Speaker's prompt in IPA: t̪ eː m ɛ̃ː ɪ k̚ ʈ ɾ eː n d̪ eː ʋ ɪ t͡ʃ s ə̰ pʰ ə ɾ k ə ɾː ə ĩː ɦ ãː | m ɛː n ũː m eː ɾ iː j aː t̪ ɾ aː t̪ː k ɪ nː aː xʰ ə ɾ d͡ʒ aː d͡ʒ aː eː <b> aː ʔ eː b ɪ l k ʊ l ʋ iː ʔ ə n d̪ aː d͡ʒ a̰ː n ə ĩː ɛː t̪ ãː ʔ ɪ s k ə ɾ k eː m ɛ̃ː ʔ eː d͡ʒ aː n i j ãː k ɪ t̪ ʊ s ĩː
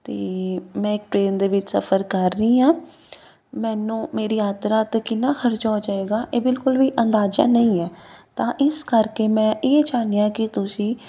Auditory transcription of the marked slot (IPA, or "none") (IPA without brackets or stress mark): ɡ